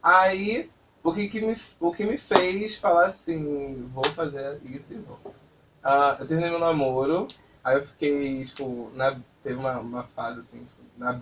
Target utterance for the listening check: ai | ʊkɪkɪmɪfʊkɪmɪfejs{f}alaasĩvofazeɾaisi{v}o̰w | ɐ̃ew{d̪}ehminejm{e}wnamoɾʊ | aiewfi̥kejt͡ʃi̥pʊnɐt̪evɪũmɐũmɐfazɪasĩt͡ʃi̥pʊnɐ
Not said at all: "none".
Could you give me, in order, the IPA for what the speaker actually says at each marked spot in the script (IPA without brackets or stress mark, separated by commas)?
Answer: f, v, t̪, e